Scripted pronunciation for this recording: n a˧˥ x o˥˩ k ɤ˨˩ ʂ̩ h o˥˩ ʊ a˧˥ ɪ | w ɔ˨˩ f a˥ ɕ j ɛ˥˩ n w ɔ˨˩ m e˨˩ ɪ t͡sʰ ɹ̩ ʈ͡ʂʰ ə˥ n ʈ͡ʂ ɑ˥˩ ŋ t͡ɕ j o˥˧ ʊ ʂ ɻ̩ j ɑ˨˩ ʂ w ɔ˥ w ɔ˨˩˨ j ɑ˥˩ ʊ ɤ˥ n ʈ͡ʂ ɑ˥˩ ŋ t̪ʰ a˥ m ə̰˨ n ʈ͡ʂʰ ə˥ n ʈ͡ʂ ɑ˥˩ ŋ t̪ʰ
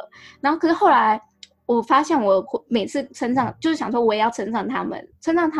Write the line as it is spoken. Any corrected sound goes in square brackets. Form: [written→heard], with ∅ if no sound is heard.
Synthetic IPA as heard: n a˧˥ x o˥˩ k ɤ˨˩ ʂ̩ [h→x] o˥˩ ʊ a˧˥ ɪ | w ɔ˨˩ f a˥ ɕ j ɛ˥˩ n w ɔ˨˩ m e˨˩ ɪ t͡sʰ ɹ̩ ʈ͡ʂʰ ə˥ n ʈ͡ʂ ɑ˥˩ ŋ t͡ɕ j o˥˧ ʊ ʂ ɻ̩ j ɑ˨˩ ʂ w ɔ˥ w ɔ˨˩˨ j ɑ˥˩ ʊ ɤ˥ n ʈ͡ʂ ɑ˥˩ ŋ t̪ʰ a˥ m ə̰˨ n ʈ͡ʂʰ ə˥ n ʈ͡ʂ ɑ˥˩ ŋ t̪ʰ